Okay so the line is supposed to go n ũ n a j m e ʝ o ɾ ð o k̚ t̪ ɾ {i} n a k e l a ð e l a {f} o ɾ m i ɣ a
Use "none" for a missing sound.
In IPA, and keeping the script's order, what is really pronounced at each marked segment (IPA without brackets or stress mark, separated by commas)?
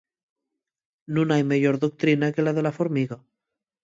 i, f